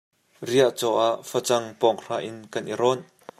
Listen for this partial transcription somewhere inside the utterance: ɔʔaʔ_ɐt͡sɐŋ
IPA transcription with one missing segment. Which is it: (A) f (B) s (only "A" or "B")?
A